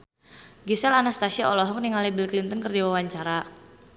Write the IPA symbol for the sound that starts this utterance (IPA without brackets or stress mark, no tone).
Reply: ɡ